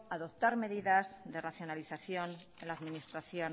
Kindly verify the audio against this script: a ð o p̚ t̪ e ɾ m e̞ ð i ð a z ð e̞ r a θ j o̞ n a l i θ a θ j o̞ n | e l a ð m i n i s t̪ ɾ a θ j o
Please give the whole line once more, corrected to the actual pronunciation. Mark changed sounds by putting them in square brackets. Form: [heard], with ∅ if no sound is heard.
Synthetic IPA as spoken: a ð o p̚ t̪ [a] ɾ m e̞ ð i ð a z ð e̞ r a θ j o̞ n a l i θ a θ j o̞ n | e l a ð m i n i s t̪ ɾ a θ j o

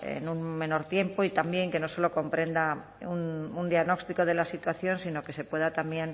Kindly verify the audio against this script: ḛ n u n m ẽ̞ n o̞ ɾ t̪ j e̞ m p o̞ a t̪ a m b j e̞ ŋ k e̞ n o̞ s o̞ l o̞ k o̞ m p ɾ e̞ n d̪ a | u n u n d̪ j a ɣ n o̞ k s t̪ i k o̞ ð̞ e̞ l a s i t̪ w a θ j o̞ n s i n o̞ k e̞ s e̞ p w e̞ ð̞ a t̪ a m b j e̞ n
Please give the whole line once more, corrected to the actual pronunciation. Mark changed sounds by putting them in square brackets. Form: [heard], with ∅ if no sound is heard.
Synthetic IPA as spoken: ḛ n u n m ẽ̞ n o̞ ɾ t̪ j e̞ m p o̞ [i] t̪ a m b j e̞ ŋ k e̞ n o̞ s o̞ l o̞ k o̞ m p ɾ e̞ n d̪ a | u n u n d̪ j a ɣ n o̞ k s t̪ i k o̞ ð̞ e̞ l a s i t̪ w a θ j o̞ n s i n o̞ k e̞ s e̞ p w e̞ ð̞ a t̪ a m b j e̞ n

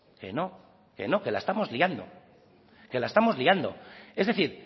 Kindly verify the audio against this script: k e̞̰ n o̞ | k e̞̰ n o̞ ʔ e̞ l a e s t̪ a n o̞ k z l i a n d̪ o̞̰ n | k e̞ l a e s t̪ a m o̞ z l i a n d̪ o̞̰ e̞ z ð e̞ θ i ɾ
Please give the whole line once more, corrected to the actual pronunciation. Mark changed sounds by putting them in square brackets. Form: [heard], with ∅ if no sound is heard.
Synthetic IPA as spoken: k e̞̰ n o̞ | k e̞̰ n o̞ [k] e̞ l a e s t̪ a [m] o̞ [∅] z l i a n d̪ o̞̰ [∅] | k e̞ l a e s t̪ a m o̞ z l i a n d̪ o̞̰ e̞ z ð e̞ θ i ɾ

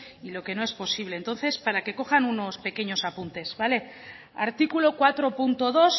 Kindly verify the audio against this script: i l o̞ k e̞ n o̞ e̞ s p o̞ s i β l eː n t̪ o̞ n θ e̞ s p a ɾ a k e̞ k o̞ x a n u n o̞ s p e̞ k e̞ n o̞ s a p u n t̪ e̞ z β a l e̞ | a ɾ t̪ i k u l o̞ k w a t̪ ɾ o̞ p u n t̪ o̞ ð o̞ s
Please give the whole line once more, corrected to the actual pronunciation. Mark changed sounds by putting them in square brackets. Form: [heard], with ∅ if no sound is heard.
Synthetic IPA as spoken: i l o̞ k e̞ n o̞ e̞ s p o̞ s i β l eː n t̪ o̞ n θ e̞ s p a ɾ a k e̞ k o̞ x a n u n o̞ s p e̞ k e̞ [ɲ] o̞ s a p u n t̪ e̞ z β a l e̞ | a ɾ t̪ i k u l o̞ k w a t̪ ɾ o̞ p u n t̪ o̞ ð o̞ s

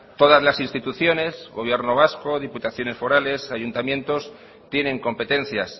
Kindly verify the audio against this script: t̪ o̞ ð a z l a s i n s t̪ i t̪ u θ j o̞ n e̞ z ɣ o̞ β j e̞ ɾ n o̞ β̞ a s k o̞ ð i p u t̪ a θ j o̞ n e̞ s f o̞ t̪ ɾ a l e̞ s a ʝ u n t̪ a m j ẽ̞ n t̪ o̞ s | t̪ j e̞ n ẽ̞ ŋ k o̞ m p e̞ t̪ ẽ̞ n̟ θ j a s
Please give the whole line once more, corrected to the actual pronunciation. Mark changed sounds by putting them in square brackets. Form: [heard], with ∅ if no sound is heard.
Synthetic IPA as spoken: t̪ o̞ ð a z l a s i n s t̪ i t̪ u θ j o̞ n e̞ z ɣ o̞ β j e̞ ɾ n o̞ β̞ a s k o̞ ð i p u t̪ a θ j o̞ n e̞ s f o̞ [∅] ɾ a l e̞ s a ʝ u n t̪ a m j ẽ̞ n t̪ o̞ s | t̪ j e̞ n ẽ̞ ŋ k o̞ m p e̞ t̪ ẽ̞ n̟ θ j a s

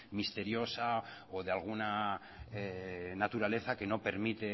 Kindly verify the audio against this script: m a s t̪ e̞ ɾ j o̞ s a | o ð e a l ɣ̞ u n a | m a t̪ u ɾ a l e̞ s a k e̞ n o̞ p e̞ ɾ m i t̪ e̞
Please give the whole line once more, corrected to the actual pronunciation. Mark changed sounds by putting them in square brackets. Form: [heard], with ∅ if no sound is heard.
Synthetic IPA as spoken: m [i] s t̪ e̞ ɾ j o̞ s a | o ð e a l ɣ̞ u n a | [n] a t̪ u ɾ a l e̞ [θ] a k e̞ n o̞ p e̞ ɾ m i t̪ e̞

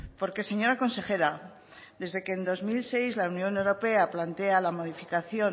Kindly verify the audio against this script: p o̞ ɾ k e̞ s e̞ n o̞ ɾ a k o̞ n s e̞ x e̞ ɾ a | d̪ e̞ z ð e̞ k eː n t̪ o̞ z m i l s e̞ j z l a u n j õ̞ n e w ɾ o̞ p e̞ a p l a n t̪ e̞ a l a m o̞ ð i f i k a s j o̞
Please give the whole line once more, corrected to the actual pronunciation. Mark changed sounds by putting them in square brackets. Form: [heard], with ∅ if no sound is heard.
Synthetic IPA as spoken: p o̞ ɾ k e̞ s e̞ [ɲ] o̞ ɾ a k o̞ n s e̞ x e̞ ɾ a | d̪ e̞ z ð e̞ k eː n [d̪] o̞ z m i l s e̞ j z l a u n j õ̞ n e w ɾ o̞ p e̞ a p l a n t̪ e̞ a l a m o̞ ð i f i k a [θ] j o̞

